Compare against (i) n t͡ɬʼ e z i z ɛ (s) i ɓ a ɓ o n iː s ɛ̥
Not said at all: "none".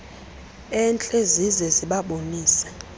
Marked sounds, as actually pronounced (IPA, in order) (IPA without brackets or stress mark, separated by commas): ɛ, z